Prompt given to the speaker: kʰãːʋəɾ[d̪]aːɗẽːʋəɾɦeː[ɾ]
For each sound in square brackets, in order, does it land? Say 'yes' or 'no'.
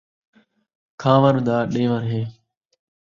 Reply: yes, no

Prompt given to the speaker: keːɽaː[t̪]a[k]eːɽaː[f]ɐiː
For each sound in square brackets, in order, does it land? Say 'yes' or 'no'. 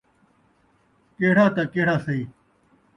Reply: yes, yes, no

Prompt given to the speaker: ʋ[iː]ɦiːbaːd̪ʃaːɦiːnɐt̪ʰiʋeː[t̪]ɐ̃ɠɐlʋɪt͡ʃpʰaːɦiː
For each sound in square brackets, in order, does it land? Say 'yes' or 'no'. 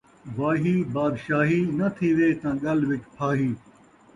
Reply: no, yes

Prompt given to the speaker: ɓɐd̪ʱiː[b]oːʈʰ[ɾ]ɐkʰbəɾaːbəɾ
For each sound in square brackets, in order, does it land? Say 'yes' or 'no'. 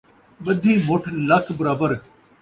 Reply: no, no

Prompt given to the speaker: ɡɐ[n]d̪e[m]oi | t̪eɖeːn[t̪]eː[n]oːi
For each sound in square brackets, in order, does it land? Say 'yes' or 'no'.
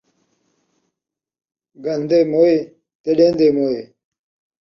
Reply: yes, yes, no, no

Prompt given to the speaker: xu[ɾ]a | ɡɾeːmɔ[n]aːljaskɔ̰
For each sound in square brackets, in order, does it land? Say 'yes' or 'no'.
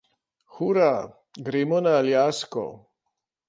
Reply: yes, yes

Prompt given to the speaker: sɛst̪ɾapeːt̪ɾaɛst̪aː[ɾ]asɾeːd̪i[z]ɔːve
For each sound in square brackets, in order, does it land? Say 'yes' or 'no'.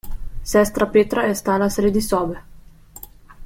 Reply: no, no

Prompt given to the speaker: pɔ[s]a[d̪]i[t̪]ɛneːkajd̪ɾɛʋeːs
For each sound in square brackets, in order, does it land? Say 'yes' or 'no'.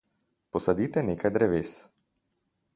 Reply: yes, yes, yes

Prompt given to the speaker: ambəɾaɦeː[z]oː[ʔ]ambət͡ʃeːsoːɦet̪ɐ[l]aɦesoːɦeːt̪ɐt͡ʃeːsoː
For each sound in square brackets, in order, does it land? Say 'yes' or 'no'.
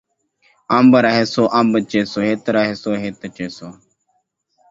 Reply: no, yes, no

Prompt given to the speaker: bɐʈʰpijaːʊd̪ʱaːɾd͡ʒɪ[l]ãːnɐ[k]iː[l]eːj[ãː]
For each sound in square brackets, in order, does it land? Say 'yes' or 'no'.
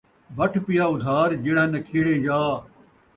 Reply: no, no, no, no

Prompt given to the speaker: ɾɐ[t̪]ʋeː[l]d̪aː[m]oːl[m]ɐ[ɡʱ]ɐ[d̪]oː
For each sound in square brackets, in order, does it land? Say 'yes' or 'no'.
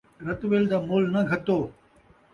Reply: yes, yes, yes, no, yes, no

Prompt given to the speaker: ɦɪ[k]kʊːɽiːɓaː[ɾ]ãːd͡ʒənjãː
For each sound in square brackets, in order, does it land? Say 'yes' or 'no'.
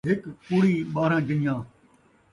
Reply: yes, yes

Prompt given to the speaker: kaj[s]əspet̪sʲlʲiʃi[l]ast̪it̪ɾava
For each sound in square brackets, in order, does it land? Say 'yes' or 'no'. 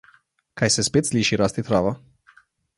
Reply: yes, no

